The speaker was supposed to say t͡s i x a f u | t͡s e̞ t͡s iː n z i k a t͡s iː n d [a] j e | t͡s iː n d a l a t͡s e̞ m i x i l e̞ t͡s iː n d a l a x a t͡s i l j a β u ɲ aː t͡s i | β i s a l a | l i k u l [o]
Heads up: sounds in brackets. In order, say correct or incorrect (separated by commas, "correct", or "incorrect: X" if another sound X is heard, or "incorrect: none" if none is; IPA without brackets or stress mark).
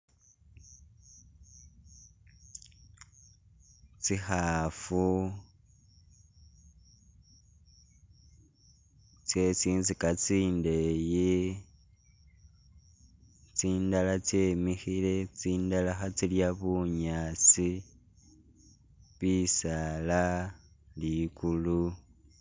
incorrect: e, incorrect: u